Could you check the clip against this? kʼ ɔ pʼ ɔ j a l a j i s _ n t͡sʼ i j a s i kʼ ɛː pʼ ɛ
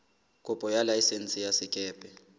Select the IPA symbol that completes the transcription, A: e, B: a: A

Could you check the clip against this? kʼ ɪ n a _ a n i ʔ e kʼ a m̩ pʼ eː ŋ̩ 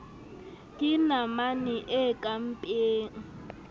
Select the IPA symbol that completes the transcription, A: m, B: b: A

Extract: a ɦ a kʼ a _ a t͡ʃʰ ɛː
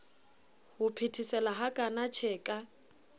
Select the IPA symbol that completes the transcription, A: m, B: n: B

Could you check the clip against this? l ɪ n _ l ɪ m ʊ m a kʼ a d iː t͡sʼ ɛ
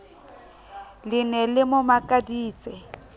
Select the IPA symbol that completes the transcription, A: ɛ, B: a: A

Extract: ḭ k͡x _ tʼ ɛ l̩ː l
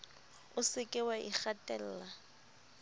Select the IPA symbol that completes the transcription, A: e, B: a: B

